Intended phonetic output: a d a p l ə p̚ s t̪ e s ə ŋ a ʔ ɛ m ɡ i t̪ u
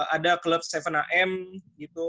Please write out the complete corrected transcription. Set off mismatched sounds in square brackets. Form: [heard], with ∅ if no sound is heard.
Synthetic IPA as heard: a d a [k] l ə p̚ s t̪ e [f] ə [n] a ʔ ɛ m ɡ i t̪ u